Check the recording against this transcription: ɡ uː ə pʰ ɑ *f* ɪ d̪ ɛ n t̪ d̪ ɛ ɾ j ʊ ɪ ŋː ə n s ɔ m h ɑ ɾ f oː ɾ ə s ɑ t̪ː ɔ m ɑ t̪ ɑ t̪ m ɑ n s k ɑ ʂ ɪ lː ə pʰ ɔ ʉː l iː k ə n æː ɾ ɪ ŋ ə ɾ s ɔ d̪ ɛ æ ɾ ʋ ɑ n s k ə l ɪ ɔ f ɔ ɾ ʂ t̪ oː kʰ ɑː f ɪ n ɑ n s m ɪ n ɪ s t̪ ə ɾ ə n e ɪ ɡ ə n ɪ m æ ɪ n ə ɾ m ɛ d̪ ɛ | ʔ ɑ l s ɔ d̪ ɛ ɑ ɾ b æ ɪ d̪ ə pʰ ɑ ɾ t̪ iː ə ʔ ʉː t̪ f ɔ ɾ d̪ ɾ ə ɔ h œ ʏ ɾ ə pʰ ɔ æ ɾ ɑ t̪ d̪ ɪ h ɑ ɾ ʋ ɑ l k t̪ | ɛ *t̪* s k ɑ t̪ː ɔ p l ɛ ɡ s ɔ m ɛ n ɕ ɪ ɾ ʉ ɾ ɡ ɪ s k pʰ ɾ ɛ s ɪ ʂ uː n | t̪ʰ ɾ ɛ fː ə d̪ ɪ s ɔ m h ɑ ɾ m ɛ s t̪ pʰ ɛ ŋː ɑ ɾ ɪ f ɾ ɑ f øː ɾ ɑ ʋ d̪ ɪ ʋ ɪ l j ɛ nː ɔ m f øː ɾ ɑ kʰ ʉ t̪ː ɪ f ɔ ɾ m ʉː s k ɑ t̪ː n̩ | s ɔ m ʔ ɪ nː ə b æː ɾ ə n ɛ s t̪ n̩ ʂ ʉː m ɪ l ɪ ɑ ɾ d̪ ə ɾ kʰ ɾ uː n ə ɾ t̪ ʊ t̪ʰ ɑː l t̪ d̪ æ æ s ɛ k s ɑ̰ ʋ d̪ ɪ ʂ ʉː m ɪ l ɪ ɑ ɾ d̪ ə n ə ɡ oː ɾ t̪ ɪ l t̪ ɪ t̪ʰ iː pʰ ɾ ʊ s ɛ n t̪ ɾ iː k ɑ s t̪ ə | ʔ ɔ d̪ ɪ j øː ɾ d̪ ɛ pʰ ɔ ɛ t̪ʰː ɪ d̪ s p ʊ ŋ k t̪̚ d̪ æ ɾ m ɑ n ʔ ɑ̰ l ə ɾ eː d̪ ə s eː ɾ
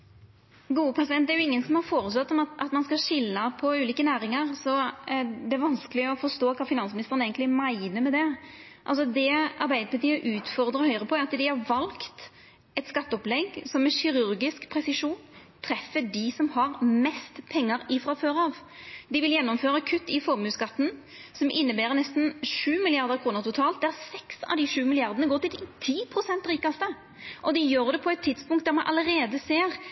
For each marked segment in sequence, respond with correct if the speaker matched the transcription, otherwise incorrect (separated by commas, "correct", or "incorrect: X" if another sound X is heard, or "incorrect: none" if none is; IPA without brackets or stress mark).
incorrect: s, correct